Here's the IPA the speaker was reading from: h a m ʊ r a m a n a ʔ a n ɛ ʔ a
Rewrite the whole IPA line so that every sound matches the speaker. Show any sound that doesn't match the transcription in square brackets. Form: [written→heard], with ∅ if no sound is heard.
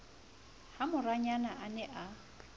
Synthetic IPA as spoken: h a m ʊ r a [m→ɲ] a n a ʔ a n ɛ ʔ a